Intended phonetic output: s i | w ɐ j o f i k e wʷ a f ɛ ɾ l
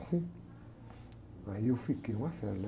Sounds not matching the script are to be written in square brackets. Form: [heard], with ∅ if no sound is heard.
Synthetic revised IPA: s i | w [a] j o f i k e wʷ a f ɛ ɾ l